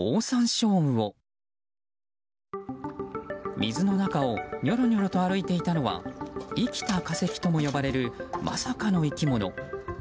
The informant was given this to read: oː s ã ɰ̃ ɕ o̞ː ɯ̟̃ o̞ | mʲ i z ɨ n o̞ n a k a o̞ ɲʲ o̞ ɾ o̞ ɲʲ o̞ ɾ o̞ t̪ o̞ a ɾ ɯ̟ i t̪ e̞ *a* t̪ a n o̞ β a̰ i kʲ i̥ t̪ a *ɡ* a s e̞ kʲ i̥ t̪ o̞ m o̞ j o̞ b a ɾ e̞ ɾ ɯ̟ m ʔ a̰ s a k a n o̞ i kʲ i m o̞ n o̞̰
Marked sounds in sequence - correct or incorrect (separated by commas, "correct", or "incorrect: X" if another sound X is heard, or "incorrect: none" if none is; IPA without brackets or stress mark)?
incorrect: i, incorrect: k